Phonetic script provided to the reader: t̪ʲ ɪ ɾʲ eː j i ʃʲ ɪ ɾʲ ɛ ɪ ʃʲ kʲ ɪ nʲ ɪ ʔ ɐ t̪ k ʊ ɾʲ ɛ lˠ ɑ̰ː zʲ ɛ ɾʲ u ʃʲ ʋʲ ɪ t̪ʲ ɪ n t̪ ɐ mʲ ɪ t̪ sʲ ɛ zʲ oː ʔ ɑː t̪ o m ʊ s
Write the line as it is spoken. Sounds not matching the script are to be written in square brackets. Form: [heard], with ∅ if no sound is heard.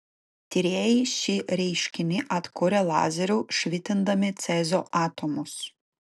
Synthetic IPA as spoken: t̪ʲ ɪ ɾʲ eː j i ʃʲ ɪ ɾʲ ɛ ɪ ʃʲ kʲ ɪ nʲ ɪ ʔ ɐ t̪ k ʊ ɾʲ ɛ lˠ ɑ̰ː zʲ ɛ ɾʲ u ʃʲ ʋʲ ɪ t̪ʲ ɪ n [d̪] ɐ mʲ ɪ t̪ sʲ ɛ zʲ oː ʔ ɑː t̪ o m ʊ s